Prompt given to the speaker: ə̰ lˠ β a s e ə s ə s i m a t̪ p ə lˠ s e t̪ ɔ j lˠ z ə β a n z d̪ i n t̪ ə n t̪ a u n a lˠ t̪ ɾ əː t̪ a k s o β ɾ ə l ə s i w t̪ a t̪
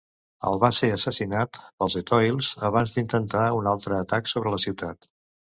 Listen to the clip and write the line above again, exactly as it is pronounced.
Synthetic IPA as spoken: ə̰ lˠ β a s e ə s ə s i n a t̪ p ə lˠ z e t̪ ɔ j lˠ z ə β a n z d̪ i n t̪ ə n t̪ a u n a lˠ t̪ ɾ əː t̪ a k s o β ɾ ə l ə s i w t̪ a t̪